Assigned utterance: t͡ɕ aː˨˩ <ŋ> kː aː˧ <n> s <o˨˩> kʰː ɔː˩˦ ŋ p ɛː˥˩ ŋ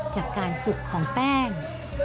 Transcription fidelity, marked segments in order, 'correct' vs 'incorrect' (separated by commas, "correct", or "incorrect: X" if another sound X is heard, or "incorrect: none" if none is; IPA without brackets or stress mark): incorrect: none, correct, incorrect: u˨˩